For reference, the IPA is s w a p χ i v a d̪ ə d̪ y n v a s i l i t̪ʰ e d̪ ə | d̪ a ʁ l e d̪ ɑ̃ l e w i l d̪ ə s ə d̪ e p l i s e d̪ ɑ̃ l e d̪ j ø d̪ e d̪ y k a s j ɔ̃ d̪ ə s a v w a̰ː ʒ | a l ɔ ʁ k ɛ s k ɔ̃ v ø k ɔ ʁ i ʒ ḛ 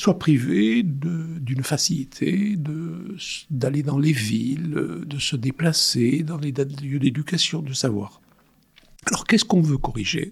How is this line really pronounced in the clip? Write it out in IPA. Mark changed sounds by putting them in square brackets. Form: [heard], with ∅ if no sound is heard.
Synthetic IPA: s w a p χ i v [e] d̪ ə d̪ y n [f] a s i l i t̪ʰ e d̪ ə | d̪ a [∅] l e d̪ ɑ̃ l e [v] i l d̪ ə s ə d̪ e p l [a] s e d̪ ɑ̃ l e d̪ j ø d̪ e d̪ y k a s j ɔ̃ d̪ ə s a v w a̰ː [ʁ] | a l ɔ ʁ k ɛ s k ɔ̃ v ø k ɔ ʁ i ʒ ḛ